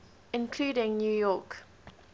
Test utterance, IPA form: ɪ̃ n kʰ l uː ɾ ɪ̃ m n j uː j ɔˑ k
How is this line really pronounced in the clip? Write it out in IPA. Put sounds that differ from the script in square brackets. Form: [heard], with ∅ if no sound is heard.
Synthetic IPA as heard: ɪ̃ n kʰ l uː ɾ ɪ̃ [ŋ] n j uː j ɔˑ k